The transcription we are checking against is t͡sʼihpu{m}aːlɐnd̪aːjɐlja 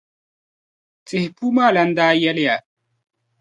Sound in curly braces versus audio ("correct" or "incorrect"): correct